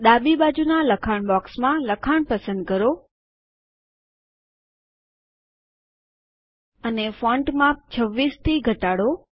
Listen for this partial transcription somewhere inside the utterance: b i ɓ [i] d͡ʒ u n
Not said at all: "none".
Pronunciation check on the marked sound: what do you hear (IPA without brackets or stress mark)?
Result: a